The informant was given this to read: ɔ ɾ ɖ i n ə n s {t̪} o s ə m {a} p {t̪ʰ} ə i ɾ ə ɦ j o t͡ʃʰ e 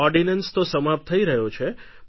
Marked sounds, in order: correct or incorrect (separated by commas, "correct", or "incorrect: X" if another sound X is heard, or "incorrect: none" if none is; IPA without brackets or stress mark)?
correct, correct, correct